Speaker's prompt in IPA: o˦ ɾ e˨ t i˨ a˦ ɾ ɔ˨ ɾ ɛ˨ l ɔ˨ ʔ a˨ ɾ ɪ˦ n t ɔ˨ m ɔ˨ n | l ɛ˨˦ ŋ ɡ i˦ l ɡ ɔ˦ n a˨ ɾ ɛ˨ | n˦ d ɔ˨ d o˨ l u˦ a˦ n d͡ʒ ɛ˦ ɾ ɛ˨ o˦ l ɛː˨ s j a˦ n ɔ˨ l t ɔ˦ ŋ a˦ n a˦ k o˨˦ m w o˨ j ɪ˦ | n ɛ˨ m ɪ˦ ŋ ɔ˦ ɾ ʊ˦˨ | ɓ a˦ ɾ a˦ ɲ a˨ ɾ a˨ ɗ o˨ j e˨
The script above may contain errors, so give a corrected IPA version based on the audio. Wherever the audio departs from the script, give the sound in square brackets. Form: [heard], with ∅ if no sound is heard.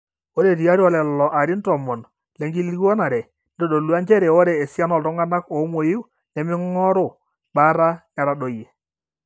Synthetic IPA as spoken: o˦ ɾ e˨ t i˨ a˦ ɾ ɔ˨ [l] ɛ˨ l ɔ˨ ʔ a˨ ɾ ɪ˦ n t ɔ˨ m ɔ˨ n | l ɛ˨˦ ŋ ɡ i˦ l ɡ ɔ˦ n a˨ ɾ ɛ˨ | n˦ d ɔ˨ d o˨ l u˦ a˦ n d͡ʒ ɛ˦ ɾ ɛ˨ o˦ [ɾ] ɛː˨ s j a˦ n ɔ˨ l t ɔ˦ ŋ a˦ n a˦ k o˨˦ m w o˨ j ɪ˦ | n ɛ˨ m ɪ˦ ŋ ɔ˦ ɾ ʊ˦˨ | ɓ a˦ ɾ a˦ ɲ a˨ ɾ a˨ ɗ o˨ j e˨